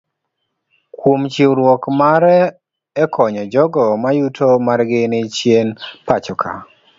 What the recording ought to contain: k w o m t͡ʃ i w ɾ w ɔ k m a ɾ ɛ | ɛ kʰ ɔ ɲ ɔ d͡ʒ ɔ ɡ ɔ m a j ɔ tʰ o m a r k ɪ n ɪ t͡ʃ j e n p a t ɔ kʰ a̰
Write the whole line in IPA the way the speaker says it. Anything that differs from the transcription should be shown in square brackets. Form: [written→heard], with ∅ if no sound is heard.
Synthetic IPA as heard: k w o m t͡ʃ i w ɾ w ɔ k m a ɾ ɛ | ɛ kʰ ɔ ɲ ɔ d͡ʒ ɔ ɡ ɔ m a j [ɔ→u] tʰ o m a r [k→ɡ] ɪ n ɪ t͡ʃ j e n p a [t→t͡ʃ] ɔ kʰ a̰